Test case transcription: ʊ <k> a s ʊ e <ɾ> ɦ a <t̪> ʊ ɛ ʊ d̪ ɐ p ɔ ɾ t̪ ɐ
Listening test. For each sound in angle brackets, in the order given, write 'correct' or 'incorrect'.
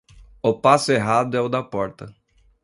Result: incorrect, incorrect, incorrect

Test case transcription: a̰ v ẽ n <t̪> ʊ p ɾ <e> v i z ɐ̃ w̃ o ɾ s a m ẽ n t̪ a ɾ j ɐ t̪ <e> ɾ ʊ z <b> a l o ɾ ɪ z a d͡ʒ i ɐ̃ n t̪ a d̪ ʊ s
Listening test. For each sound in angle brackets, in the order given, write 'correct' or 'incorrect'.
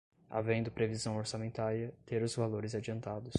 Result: incorrect, correct, correct, incorrect

